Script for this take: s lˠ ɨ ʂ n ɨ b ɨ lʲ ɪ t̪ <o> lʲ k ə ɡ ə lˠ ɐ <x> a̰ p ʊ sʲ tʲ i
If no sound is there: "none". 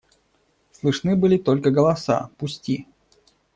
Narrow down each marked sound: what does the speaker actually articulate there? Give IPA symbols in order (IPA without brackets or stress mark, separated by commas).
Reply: o, s